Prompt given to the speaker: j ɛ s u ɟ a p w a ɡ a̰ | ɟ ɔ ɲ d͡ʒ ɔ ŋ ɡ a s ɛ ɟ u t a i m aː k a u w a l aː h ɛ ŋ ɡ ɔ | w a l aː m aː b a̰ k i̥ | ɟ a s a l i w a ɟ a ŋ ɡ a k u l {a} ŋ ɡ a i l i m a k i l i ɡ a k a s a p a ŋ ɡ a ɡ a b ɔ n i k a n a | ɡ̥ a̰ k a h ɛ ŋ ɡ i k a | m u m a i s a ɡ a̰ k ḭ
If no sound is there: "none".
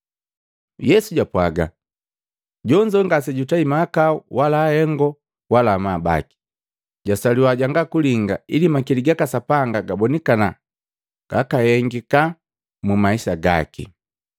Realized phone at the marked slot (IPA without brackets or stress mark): i